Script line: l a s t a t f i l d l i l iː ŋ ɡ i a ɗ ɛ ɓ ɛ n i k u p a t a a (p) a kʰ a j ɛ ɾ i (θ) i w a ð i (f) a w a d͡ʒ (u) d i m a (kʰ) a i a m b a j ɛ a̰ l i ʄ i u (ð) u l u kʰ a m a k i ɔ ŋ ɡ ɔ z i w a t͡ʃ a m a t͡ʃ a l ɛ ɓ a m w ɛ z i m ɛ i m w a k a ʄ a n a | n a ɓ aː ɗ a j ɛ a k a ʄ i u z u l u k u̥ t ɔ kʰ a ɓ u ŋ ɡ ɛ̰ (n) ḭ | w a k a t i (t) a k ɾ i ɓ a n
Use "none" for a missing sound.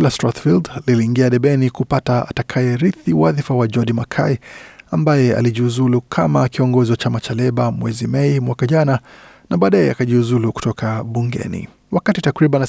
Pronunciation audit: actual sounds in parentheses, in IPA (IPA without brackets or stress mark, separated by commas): t, θ, f, ɔ, kʰ, z, n, t